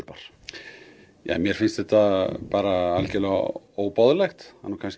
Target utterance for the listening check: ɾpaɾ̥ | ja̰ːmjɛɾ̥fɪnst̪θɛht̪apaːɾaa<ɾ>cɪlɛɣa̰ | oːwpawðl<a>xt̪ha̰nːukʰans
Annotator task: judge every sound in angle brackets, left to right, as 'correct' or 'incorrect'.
incorrect: l, incorrect: ɛ

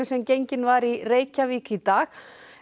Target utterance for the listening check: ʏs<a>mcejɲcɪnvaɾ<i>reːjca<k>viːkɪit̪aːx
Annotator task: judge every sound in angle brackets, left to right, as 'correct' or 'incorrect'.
incorrect: ɛ, correct, incorrect: none

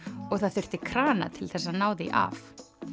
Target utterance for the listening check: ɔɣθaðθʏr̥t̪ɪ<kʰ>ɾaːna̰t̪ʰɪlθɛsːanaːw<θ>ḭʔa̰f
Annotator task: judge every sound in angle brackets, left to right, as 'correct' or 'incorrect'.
correct, incorrect: ð

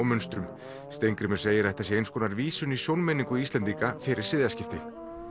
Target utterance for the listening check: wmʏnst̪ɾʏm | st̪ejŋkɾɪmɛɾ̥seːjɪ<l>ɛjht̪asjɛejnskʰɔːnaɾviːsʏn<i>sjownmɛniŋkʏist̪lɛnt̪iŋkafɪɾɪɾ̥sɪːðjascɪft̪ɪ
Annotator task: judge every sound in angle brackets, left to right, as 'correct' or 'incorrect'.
incorrect: ɾ, correct

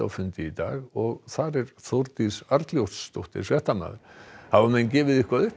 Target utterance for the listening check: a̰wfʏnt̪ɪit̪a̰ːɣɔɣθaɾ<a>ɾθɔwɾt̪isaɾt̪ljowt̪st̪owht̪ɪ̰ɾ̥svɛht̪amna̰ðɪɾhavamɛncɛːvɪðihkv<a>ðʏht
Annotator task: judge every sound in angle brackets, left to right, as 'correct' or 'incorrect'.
incorrect: ɛ, correct

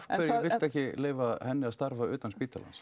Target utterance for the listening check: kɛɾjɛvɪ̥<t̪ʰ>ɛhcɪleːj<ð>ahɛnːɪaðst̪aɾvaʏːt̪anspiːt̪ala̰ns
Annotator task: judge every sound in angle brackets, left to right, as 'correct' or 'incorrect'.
incorrect: t̪, incorrect: v

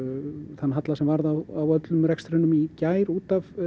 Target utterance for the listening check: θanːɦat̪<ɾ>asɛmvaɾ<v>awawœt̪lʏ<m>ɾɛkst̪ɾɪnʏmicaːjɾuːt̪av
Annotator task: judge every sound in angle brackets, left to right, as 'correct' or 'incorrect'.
incorrect: l, incorrect: ð, correct

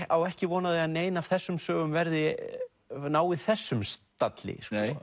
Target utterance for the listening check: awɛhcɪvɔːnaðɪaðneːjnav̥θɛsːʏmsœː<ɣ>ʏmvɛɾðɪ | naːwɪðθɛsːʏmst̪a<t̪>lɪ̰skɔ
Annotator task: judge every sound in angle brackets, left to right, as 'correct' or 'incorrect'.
correct, correct

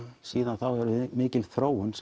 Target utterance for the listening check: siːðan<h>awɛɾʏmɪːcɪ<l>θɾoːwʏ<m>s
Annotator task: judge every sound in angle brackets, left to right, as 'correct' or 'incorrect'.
incorrect: θ, correct, incorrect: n

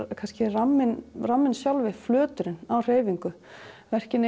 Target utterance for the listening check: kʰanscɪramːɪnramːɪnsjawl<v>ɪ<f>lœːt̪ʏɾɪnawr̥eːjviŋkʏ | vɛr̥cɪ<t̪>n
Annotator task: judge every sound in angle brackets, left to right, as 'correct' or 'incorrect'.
correct, correct, incorrect: none

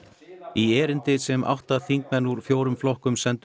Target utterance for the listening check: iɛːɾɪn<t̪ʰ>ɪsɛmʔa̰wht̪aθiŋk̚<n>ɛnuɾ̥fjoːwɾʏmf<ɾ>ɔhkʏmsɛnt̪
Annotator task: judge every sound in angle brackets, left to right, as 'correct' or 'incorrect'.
incorrect: t̪, incorrect: m, incorrect: l

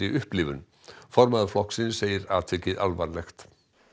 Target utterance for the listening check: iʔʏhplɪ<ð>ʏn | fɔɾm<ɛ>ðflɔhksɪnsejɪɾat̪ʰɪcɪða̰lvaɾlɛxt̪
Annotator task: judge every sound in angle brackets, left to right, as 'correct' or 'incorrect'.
incorrect: v, incorrect: a

